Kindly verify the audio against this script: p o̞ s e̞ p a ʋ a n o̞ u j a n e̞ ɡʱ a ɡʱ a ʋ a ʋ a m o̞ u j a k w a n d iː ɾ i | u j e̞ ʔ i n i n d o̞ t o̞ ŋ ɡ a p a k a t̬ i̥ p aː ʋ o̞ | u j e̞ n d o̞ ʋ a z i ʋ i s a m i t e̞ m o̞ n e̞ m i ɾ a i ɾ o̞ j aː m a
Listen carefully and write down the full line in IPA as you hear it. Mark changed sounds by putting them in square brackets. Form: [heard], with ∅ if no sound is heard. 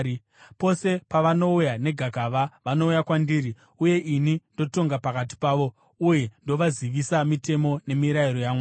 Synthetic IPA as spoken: p o̞ s e̞ p a ʋ a n o̞ u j a n e̞ ɡʱ a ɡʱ a ʋ a ʋ a [n] o̞ u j a k w a n d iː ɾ i | u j e̞ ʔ i n i n d o̞ t o̞ ŋ ɡ a p a k a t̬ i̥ p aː ʋ o̞ | u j e̞ n d o̞ ʋ a z i ʋ i s a m i t e̞ m o̞ n e̞ m i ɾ a i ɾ o̞ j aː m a